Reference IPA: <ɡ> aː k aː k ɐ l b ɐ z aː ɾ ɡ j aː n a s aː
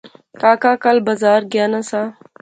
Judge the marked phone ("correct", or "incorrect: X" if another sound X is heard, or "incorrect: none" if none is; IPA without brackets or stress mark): incorrect: k